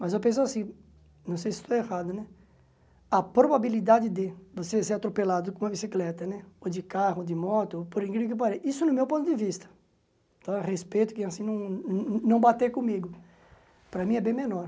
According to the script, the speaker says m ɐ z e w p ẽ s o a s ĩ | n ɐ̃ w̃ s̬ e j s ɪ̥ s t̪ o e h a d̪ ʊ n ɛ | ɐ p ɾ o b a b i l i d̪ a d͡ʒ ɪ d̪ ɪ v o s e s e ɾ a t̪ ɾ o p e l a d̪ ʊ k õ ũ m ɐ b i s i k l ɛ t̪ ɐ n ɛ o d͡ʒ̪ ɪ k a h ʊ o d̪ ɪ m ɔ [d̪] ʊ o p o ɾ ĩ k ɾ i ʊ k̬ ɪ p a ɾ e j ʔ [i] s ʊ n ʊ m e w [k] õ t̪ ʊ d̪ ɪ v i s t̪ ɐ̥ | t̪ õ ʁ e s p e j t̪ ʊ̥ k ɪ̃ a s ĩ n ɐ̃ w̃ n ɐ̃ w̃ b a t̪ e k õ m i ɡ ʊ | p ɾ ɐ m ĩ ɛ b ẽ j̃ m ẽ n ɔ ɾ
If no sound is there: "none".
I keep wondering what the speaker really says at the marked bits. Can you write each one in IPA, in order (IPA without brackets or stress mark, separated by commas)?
t̪, i, p